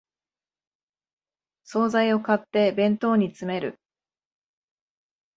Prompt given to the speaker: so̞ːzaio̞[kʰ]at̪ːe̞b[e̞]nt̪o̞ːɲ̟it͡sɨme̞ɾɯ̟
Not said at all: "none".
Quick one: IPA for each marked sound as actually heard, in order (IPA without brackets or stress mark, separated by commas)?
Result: k, ẽ̞